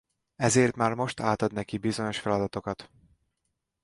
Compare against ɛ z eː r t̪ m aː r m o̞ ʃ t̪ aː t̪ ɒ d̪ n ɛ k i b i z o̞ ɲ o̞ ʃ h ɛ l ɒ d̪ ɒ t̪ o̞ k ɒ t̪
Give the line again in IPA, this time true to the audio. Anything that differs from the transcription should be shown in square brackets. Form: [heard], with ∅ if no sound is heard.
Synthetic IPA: ɛ z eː r t̪ m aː r m o̞ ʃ t̪ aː t̪ ɒ d̪ n ɛ k i b i z o̞ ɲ o̞ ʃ [f] ɛ l ɒ d̪ ɒ t̪ o̞ k ɒ t̪

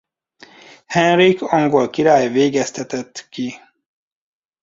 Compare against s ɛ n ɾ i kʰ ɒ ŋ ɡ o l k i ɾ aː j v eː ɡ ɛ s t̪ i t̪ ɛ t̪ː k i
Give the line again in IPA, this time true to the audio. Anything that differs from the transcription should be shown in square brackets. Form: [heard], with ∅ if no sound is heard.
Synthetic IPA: [h] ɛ n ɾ i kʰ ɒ ŋ ɡ o l k i ɾ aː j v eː ɡ ɛ s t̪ [ɛ] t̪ ɛ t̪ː k i

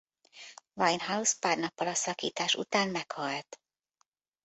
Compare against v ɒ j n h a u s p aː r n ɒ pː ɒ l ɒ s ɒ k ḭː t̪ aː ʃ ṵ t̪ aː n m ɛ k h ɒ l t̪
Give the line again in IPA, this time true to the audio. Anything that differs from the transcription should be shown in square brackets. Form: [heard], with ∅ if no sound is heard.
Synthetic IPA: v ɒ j n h a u s p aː r n ɒ pː ɒ l ɒ s ɒ k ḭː t̪ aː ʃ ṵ t̪ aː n m ɛ k h ɒ l t̪

